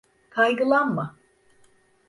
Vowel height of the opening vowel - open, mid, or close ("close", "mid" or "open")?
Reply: open